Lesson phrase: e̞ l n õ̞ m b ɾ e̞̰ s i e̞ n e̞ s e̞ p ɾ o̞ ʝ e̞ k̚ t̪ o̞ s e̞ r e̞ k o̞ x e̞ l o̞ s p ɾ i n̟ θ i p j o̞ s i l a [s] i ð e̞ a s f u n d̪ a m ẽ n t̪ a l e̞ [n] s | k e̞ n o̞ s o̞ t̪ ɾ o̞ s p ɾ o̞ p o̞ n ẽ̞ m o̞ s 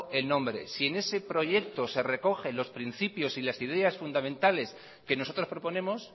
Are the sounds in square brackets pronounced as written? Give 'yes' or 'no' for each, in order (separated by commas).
yes, no